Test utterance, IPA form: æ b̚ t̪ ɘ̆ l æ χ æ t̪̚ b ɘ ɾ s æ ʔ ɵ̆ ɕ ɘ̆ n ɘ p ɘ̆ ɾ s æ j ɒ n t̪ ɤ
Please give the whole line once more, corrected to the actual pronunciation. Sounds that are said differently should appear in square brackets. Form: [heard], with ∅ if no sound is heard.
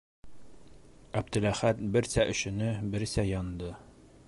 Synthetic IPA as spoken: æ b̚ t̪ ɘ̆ l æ χ æ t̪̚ b ɘ ɾ s æ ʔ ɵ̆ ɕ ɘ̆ n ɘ [b] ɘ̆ ɾ s æ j ɒ n [d̪] ɤ